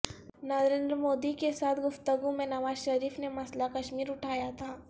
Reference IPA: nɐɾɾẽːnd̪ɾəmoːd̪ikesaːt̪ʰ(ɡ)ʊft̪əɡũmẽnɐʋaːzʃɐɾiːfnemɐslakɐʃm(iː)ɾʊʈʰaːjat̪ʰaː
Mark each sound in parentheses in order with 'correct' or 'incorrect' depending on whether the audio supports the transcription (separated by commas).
correct, correct